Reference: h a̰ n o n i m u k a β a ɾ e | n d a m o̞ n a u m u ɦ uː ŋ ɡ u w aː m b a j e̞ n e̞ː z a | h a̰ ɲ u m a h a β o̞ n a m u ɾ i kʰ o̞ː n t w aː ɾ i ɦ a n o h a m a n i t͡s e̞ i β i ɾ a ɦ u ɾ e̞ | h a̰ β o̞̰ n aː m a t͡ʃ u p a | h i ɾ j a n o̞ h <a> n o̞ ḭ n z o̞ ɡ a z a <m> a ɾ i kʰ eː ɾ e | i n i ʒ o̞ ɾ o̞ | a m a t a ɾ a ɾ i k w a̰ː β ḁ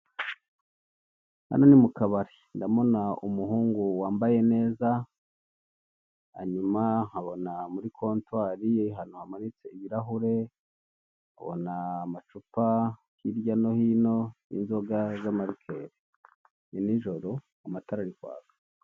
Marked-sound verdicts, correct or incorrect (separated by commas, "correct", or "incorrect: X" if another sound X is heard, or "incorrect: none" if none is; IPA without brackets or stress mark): incorrect: i, correct